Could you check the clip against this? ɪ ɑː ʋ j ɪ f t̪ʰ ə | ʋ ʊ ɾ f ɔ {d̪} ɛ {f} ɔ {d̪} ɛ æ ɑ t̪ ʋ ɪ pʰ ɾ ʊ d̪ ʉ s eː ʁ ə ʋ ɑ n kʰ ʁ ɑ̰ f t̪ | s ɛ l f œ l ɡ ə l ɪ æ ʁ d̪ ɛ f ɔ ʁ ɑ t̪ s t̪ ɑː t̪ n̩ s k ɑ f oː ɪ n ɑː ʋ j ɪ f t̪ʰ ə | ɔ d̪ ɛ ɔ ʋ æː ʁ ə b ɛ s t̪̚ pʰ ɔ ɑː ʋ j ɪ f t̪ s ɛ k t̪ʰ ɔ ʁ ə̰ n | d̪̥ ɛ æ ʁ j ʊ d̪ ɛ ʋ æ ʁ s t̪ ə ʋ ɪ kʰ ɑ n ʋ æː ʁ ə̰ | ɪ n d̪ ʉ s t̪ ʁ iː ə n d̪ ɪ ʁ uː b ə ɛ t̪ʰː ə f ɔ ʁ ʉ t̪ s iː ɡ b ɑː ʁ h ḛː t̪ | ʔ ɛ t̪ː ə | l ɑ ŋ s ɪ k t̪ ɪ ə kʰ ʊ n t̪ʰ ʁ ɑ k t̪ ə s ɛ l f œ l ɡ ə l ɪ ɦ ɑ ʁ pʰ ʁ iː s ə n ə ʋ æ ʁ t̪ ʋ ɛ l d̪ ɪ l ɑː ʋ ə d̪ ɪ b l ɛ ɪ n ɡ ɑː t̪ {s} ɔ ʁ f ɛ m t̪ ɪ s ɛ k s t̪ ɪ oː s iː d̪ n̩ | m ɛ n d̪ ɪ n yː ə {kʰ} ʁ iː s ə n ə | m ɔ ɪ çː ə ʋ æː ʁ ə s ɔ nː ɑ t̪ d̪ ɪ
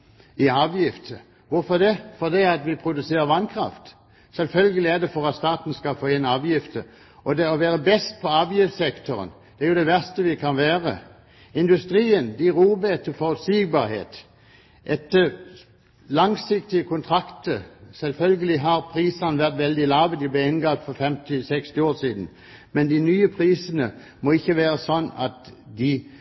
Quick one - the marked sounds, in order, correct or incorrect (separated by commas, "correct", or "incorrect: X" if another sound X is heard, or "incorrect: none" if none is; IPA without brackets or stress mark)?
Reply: correct, correct, correct, incorrect: f, incorrect: pʰ